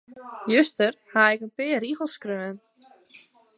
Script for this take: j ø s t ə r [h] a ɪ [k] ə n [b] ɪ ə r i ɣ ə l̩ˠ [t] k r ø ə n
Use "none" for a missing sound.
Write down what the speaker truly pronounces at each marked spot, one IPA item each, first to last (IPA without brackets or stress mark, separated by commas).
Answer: h, k, p, s